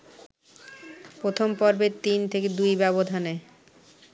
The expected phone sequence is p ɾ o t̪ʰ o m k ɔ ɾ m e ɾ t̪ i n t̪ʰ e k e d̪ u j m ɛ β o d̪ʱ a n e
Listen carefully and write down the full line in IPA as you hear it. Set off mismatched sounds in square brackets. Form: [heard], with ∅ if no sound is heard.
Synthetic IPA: p ɾ o t̪ʰ o m [p] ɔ ɾ [b] e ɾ t̪ i n t̪ʰ e k e d̪ u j [b] ɛ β o d̪ʱ a n e